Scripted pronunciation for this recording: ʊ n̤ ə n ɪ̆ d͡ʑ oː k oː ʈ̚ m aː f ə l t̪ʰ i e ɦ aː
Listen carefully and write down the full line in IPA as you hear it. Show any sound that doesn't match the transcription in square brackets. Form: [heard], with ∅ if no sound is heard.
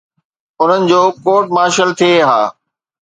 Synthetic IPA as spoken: ʊ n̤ ə n ɪ̆ d͡ʑ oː k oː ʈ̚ m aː [ʃ] ə l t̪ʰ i e ɦ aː